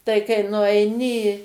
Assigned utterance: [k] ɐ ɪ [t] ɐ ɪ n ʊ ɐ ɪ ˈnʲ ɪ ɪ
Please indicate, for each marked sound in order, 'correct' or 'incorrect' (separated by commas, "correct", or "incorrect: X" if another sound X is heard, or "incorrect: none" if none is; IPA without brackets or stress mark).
incorrect: t, incorrect: k